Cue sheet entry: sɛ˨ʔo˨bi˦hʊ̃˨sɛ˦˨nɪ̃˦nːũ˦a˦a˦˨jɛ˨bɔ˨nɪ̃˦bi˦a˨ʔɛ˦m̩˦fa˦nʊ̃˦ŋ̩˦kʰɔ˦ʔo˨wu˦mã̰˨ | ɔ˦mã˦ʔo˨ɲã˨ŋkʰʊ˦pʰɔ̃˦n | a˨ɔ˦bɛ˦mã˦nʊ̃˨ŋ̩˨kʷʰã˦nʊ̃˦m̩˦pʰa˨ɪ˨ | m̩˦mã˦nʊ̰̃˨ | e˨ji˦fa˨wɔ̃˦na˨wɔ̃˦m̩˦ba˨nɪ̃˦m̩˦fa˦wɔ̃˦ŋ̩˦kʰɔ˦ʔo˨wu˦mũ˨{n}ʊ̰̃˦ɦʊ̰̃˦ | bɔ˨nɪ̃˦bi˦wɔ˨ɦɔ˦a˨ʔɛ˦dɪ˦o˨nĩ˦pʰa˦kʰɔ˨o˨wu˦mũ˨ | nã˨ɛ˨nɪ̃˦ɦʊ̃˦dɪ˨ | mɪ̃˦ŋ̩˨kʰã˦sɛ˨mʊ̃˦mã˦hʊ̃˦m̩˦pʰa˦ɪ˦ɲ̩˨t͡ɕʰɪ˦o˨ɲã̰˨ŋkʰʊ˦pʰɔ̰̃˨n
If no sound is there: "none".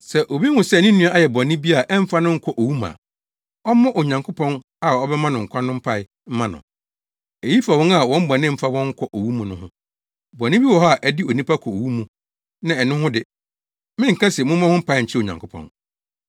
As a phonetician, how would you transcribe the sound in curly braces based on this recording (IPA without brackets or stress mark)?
n